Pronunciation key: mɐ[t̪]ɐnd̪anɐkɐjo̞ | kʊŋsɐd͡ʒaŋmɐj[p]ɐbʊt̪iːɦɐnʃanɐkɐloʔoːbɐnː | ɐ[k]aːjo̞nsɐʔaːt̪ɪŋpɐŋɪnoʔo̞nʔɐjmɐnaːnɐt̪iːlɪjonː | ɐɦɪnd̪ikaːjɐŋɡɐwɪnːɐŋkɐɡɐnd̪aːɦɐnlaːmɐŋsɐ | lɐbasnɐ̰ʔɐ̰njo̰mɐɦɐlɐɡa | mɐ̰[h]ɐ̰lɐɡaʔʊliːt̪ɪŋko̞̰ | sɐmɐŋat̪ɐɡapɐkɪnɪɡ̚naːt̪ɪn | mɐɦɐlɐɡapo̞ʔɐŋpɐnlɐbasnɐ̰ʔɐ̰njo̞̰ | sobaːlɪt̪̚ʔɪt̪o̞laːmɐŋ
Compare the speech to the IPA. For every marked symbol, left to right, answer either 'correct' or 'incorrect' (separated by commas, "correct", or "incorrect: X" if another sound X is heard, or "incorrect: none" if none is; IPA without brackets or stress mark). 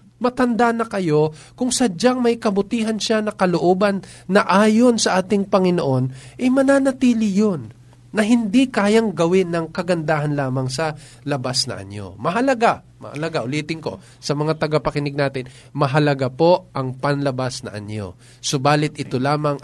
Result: correct, incorrect: k, incorrect: ʔ, correct